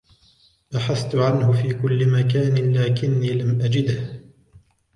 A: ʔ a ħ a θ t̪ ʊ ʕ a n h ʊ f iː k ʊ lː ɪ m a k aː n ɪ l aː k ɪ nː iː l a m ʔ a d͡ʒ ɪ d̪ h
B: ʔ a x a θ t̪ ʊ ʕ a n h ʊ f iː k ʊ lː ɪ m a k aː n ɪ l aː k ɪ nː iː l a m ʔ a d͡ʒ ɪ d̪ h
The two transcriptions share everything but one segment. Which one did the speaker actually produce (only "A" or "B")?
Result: A